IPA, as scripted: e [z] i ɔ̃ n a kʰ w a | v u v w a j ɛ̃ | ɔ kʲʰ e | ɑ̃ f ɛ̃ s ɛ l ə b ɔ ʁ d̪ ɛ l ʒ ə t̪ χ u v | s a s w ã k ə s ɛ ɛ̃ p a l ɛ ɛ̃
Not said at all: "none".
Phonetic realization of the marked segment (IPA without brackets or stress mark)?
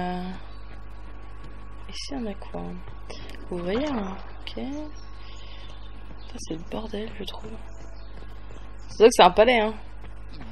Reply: s